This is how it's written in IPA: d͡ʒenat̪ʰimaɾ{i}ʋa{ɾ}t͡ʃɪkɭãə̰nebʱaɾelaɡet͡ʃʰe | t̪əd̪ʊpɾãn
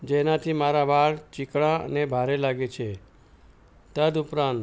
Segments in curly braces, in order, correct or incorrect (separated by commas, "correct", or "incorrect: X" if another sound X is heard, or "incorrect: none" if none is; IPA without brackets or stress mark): incorrect: a, incorrect: ɭ